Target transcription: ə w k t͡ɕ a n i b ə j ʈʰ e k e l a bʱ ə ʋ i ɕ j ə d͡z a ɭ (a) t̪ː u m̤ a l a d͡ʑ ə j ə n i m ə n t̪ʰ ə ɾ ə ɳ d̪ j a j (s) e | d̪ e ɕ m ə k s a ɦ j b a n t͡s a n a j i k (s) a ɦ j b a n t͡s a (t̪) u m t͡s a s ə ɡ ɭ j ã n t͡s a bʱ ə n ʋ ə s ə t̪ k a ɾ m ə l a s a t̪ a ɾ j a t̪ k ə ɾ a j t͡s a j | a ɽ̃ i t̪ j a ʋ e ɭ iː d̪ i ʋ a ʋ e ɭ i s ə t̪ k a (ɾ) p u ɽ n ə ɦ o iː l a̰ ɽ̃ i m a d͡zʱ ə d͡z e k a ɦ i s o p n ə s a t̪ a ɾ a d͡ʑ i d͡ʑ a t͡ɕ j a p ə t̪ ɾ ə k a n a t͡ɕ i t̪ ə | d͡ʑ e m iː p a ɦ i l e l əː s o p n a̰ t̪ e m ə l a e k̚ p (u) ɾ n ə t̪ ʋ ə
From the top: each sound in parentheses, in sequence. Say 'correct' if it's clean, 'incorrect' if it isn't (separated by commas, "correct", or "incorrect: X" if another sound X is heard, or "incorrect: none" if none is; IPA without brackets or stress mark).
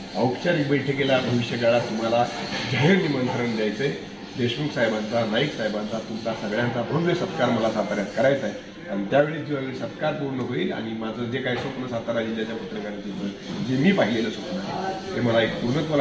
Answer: correct, incorrect: t͡s, correct, correct, correct, correct